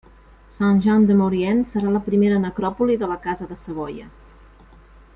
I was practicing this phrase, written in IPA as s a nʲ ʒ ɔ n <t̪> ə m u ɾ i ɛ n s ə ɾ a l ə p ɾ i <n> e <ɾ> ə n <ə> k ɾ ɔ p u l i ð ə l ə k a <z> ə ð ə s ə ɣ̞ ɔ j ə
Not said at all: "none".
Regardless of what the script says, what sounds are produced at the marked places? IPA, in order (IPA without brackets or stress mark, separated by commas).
d̪, m, ɾ, ə, z